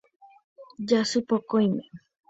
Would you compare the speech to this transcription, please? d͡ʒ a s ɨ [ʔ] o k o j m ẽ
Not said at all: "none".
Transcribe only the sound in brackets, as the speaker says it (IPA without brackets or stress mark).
p